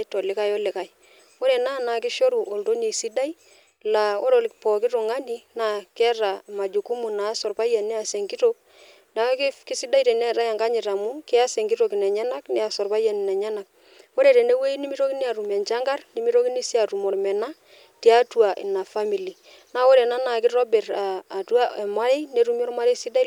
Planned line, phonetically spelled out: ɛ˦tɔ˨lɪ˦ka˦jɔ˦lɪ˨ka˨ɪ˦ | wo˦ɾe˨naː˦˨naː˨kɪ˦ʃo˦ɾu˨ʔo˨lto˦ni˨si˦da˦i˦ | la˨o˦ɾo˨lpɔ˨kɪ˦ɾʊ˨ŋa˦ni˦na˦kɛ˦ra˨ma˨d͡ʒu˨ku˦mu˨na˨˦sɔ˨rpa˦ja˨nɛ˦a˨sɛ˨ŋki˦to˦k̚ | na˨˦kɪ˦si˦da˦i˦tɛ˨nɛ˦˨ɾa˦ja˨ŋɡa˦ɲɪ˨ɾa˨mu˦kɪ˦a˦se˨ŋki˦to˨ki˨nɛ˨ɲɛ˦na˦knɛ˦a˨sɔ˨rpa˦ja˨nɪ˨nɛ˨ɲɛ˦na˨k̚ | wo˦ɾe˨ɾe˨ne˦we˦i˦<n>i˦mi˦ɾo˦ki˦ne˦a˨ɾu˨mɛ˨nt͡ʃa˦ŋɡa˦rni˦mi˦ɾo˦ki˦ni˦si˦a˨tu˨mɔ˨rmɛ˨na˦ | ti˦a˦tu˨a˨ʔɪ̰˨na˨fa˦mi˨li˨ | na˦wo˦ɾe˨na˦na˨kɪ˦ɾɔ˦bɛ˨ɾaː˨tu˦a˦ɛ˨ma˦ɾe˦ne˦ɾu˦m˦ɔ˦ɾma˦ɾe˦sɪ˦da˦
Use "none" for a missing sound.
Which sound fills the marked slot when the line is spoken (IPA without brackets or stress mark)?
n